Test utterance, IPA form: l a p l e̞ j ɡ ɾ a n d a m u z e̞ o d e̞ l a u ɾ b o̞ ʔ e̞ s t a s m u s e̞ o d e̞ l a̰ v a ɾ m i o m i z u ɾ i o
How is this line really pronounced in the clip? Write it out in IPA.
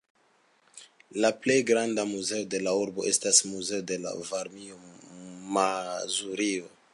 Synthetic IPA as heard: l a p l e̞ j ɡ ɾ a n d a m u z e̞ o d e̞ l a u ɾ b o̞ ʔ e̞ s t a s m u z e̞ o d e̞ l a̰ v a ɾ m i o m a z u ɾ i o

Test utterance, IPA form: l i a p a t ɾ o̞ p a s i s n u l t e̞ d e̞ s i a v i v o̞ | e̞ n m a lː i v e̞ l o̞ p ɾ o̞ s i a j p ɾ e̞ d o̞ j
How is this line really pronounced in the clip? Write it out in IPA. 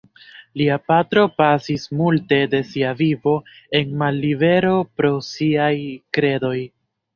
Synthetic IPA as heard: l i a p a t ɾ o̞ p a s i s m u l t e̞ d e̞ s i a v i v o̞ | e̞ n m a lː i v e̞ ɾ o̞ p ɾ o̞ s i a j k ɾ e̞ d o̞ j

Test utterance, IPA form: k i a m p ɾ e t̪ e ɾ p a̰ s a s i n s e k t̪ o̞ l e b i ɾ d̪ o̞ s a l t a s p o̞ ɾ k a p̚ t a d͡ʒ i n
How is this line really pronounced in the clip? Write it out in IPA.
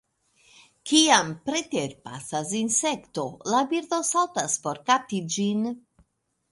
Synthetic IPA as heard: k i a m p ɾ e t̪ e ɾ p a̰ s a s i n s e k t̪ o̞ l a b i ɾ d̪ o̞ s a l t a s p o̞ ɾ k a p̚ t i d͡ʒ i n

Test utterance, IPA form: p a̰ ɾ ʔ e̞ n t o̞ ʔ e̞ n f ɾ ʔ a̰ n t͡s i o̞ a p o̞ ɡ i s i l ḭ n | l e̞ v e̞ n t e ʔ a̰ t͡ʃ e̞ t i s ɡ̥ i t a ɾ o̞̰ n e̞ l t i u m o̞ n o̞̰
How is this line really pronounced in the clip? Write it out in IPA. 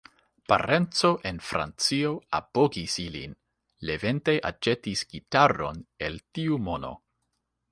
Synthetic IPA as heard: p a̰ ɾ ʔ e̞ n t͡s o̞ ʔ e̞ n f ɾ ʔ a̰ n t͡s i o̞ a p o̞ ɡ i s i l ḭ n | l e̞ v e̞ n t e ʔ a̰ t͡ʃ e̞ t i s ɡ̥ i t a ɾ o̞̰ n e̞ l t i u m o̞ n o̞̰

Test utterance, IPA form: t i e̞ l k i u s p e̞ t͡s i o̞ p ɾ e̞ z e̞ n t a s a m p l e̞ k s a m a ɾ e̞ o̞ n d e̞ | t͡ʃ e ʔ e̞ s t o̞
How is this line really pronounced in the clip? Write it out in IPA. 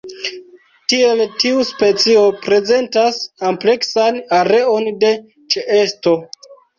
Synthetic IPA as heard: t i e̞ l t i u s p e̞ t͡s i o̞ p ɾ e̞ z e̞ n t a s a m p l e̞ k s a n a ɾ e̞ o̞ n d e̞ | t͡ʃ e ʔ e̞ s t o̞

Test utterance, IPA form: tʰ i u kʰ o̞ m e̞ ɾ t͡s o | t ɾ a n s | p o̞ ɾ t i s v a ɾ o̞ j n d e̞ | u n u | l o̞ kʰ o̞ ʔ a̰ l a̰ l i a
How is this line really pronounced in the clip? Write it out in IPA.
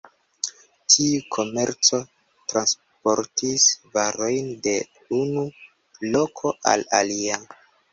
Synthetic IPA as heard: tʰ i u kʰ o̞ m e̞ ɾ t͡s o | t ɾ a n s | p o̞ ɾ t i s v a ɾ o̞ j n d e̞ | u n u | l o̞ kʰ o̞ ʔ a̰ l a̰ l i a

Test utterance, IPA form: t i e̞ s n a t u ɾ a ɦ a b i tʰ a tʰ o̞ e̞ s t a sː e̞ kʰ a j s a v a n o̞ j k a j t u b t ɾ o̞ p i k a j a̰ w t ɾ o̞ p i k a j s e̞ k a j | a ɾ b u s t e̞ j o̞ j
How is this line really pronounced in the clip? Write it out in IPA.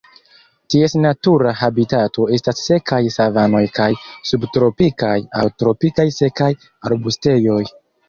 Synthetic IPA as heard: t i e̞ s n a t u ɾ a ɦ a b i t a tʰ o̞ e̞ s t a sː e̞ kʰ a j s a v a n o̞ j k a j s u b t ɾ o̞ p i k a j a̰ w t ɾ o̞ p i k a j s e̞ k a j | a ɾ b u s t e̞ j o̞ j

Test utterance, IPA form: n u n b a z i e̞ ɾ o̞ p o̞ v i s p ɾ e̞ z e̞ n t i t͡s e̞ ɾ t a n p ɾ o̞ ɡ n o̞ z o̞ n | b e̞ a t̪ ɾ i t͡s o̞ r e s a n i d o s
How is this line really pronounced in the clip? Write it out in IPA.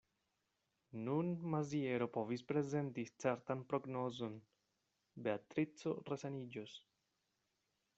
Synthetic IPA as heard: n u n m a z i e̞ ɾ o̞ p o̞ v i s p ɾ e̞ z e̞ n t i t͡s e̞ ɾ t a n p ɾ o̞ ɡ n o̞ z o̞ n | b e̞ a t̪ ɾ i t͡s o̞ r e s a n i d͡ʒ o s

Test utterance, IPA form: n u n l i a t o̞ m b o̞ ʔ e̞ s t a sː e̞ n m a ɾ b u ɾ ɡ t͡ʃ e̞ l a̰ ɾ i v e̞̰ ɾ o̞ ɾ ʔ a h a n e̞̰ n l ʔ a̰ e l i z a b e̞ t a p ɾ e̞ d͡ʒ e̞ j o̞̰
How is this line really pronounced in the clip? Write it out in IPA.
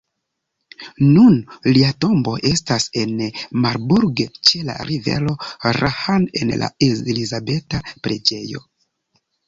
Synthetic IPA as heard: n u n l i a t o̞ m b o̞ ʔ e̞ s t a s e̞ n m a ɾ b u ɾ ɡ t͡ʃ e̞ l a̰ ɾ i v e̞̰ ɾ o̞ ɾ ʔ a h a n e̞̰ n l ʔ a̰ e l i z a b e̞ t a p ɾ e̞ d͡ʒ e̞ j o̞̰

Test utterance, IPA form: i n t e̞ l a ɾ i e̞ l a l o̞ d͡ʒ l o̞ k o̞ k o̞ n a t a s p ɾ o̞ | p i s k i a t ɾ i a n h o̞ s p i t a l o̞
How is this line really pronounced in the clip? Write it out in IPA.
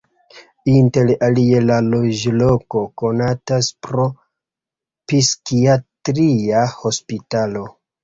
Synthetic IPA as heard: i n t e̞ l a l i e̞ l a l o̞ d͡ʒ l o̞ k o̞ k o̞ n a t a s p ɾ o̞ | p i s k i a t ɾ i a h o̞ s p i t a l o̞

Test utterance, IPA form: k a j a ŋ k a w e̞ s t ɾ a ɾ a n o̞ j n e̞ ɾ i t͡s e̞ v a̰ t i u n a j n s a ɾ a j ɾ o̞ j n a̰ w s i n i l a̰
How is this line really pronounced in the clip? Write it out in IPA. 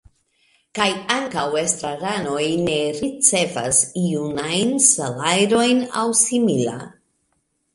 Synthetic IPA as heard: k a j a ŋ k a w e̞ s t ɾ a ɾ a n o̞ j n e̞ ɾ i t͡s e̞ v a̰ s i u n a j n s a l a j ɾ o̞ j n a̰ w s i m i l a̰

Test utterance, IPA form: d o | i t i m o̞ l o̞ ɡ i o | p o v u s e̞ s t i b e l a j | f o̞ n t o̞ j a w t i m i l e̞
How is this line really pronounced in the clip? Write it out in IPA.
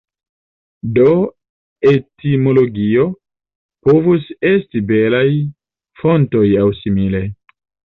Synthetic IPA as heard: d o | e t i m o̞ l o̞ ɡ i o | p o v u s e̞ s t i b e l a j | f o̞ n t o̞ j a w s i m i l e̞

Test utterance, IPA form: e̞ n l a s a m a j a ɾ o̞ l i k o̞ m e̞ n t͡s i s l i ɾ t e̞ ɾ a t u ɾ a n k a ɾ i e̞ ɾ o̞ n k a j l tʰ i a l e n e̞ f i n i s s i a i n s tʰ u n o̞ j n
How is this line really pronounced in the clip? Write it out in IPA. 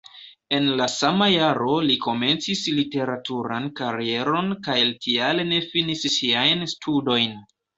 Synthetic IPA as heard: e̞ n l a s a m a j a ɾ o̞ l i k o̞ m e̞ n t͡s i s l i t e̞ ɾ a t u ɾ a n k a ɾ i e̞ ɾ o̞ n k a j l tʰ i a l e n e̞ f i n i s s i a j n s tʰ u d o̞ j n

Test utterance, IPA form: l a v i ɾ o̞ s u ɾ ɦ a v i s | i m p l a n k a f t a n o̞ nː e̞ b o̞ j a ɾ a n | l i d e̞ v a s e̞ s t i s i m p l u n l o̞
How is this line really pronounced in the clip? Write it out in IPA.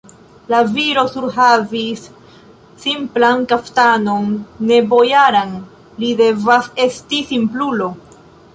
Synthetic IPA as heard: l a v i ɾ o̞ s u ɾ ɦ a v i sː | i m p l a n k a f t a n o̞ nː e̞ b o̞ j a ɾ a n | l i d e̞ v a s e̞ s t i s i m p l u l o̞

